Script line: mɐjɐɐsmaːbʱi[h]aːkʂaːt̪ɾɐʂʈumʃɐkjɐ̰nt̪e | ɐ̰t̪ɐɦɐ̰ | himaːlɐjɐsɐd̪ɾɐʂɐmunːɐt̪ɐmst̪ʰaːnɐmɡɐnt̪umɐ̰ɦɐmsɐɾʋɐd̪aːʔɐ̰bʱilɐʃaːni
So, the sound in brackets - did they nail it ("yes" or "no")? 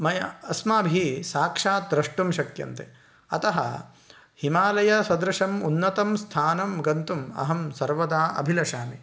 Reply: no